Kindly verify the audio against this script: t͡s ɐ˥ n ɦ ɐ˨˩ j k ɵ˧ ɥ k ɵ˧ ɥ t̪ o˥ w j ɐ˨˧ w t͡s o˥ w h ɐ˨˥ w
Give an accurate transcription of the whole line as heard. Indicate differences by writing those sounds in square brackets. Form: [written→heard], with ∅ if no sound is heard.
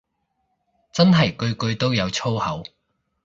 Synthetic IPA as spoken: t͡s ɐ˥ n ɦ ɐ˨˩ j k ɵ˧ ɥ k ɵ˧ ɥ t̪ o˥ w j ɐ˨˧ w [t͡s→t͡sʰ] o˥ w h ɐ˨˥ w